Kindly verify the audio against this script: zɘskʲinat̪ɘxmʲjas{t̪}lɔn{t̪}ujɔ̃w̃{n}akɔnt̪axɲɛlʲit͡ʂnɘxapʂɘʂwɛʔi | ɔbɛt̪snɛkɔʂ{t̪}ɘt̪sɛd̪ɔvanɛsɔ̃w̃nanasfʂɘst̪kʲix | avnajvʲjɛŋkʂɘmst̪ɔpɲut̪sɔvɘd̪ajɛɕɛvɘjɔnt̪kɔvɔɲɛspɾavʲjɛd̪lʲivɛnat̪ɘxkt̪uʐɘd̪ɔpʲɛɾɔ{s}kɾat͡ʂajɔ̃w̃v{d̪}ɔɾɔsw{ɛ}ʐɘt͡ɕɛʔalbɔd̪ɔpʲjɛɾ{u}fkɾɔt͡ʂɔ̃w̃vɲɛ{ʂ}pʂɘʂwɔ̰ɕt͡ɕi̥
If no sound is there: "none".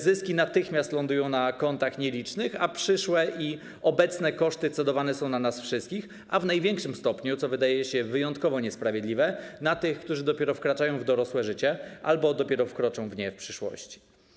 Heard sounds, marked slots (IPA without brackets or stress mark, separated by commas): t̪, d̪, n, t̪, f, d̪, ɛ, ɔ, f